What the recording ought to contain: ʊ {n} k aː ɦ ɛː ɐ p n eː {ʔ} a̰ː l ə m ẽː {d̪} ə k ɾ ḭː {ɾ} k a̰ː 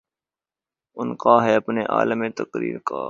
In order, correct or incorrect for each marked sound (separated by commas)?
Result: correct, correct, incorrect, correct